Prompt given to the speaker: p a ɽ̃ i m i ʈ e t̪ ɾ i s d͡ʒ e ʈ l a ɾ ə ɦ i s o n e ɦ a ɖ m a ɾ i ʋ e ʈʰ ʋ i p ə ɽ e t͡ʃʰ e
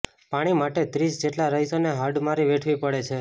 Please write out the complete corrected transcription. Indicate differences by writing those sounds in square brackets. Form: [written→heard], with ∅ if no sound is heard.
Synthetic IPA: p a ɽ̃ i m [i→a] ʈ e t̪ ɾ i s d͡ʒ e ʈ l a ɾ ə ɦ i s o n e ɦ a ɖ m a ɾ i ʋ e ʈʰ ʋ i p ə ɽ e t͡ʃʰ e